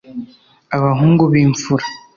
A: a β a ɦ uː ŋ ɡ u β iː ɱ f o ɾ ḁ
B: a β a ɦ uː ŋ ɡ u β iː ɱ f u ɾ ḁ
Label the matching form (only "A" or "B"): B